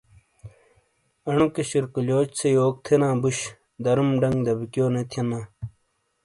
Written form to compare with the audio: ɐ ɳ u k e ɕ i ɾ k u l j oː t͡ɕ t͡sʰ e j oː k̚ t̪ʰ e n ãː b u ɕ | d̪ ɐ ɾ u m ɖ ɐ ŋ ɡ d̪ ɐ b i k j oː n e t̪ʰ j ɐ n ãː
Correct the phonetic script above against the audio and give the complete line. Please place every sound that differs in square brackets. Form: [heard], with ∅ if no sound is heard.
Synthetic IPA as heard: ɐ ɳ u k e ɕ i ɾ k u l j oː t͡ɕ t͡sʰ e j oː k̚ t̪ʰ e n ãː b u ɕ | d̪ ɐ ɾ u m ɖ ɐ ŋ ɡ d̪ ɐ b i k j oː n e t̪ʰ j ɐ n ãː